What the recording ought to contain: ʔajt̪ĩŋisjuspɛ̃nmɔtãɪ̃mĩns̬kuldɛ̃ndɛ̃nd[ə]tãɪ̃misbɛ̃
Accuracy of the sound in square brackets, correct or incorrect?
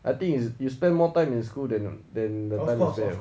correct